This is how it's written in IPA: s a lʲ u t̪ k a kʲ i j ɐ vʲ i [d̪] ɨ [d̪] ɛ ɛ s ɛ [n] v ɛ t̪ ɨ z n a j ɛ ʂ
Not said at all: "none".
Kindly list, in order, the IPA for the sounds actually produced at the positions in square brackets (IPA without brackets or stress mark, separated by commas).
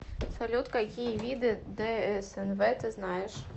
d̪, d̪, n